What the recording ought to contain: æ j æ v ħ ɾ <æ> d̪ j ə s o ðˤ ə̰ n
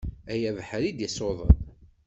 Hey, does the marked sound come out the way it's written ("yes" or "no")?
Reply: no